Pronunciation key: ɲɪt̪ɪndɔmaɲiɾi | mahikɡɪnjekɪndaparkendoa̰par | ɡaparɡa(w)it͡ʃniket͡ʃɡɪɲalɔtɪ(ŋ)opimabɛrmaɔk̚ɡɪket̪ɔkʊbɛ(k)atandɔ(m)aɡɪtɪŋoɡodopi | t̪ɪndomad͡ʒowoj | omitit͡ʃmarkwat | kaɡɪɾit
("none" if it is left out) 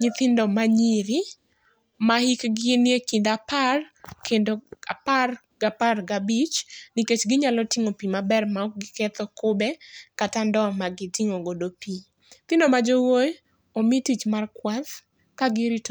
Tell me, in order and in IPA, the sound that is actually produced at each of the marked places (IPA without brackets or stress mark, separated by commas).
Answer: b, ŋ, k, m